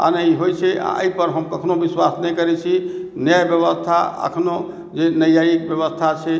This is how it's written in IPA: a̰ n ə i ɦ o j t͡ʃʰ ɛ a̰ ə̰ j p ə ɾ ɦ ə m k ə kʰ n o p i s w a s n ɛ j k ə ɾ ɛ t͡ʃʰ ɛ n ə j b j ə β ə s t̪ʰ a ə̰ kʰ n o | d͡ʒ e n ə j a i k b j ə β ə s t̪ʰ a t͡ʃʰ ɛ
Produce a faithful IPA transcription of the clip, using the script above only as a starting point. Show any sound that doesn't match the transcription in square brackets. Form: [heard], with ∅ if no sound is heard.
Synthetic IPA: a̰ n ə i ɦ o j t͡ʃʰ ɛ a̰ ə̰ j p ə ɾ ɦ ə m k ə kʰ n o [b] i s w a s n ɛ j k ə ɾ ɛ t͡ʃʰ [i] n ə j b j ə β ə s t̪ʰ a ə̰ kʰ n o | d͡ʒ e n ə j a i k b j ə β ə s t̪ʰ a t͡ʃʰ ɛ